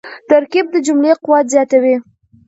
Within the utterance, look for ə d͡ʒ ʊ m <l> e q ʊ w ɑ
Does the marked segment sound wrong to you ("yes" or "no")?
no